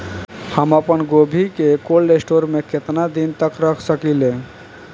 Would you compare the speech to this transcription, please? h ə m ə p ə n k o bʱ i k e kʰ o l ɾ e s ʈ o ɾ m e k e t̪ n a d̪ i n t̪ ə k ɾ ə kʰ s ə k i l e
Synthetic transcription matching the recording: h ə m ə p ə n ɡ o bʱ i k e k o l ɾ e s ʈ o ɾ m e k e t̪ n a d̪ i n t̪ ə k ɾ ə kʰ s ə k i l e

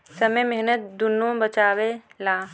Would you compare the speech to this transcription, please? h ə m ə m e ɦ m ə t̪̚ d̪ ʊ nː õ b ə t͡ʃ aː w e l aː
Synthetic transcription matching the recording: s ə m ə m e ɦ n ə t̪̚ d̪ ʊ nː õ b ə t͡ʃ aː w e l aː

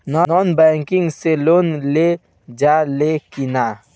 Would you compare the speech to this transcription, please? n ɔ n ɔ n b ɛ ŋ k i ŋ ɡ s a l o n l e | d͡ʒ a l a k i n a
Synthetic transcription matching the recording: n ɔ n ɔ n b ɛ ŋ k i ŋ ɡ s e l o n l e | d͡ʒ a l e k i n a

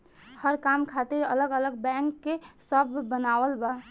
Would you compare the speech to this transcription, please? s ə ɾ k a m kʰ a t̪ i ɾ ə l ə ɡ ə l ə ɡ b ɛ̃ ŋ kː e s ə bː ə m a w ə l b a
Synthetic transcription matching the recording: h ə ɾ k a m kʰ a t̪ i ɾ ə l ə ɡ ə l ə ɡ b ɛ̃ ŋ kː e s ə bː ə n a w ə l b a

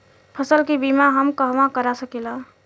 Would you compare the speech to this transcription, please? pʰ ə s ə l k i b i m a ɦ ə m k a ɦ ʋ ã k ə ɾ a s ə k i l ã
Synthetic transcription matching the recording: pʰ ə s ə l k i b i m a ɦ ə m k ə ɦ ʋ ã k ə ɾ a s ə k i l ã

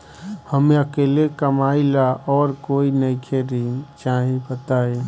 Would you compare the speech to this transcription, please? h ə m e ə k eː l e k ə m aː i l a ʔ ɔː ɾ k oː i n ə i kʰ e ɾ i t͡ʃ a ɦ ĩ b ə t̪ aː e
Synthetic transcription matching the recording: h ə m e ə k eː l e k ə m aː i l a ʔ ɔː ɾ k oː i n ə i kʰ e ɾ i t͡ʃ a ɦ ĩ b ə t̪ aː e

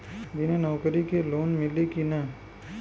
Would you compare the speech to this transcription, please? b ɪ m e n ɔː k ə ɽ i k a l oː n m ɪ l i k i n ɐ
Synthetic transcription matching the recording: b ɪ n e n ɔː k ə ɾ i k e l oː n m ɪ l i k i n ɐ

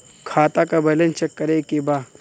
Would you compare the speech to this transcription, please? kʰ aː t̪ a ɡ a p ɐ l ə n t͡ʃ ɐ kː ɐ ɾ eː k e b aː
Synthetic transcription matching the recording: kʰ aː t̪ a k a b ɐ l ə n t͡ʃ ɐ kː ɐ ɾ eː k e b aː

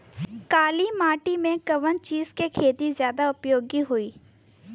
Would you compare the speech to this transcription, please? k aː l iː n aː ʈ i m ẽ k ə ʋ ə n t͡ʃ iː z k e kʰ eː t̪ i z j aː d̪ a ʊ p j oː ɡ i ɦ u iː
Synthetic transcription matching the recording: k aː l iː m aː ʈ i m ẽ k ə ʋ ə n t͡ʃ iː z k e kʰ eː t̪ i z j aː d̪ a ʊ p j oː ɡ i ɦ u iː

